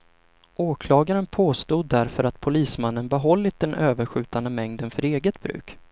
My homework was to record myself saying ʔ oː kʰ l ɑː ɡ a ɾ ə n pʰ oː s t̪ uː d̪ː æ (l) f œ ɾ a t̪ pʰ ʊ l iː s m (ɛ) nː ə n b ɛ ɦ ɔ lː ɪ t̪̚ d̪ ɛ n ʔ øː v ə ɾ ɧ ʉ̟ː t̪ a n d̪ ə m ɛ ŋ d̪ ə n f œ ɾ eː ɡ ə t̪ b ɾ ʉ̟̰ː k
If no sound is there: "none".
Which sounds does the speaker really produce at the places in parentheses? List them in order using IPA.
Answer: ɾ, a

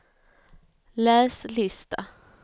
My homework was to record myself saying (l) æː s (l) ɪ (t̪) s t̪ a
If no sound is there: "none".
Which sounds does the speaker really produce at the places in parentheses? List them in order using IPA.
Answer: l, l, none

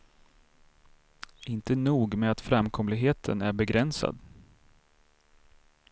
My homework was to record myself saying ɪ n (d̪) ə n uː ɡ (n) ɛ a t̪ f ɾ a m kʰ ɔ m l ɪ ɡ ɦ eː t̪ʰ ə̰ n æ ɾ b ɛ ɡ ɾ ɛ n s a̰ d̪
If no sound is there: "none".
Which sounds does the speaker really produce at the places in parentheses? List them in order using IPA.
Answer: t̪, m

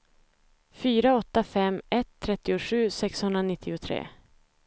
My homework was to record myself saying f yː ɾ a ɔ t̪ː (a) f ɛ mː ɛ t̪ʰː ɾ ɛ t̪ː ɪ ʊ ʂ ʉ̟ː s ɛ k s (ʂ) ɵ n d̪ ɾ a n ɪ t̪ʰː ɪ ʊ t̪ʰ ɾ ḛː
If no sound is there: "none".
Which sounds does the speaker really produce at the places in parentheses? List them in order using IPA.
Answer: a, h

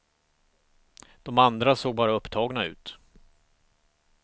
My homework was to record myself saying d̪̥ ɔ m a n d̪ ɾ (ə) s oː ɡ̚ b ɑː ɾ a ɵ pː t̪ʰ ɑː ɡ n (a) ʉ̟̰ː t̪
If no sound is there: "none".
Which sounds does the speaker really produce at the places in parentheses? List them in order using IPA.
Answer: a, a

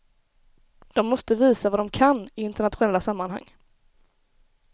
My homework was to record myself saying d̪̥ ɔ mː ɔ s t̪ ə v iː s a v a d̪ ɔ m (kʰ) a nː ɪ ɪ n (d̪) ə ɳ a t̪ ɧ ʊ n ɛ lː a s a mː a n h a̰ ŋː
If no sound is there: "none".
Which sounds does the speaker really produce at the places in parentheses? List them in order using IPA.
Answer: kʰ, t̪

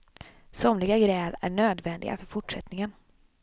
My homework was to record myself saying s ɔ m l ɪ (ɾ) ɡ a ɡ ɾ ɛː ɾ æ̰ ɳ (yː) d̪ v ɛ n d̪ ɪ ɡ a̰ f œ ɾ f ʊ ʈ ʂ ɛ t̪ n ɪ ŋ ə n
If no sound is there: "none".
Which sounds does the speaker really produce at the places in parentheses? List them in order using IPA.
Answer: none, øː

